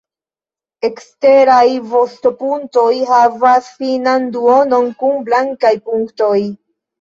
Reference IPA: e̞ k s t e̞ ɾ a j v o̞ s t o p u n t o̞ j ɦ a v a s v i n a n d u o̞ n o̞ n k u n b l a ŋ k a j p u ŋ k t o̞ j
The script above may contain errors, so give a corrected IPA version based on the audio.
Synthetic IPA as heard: e̞ k s t e̞ ɾ a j v o̞ s t o p u n t o̞ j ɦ a v a s f i n a n d u o̞ n o̞ n k u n b l a ŋ k a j p u ŋ k t o̞ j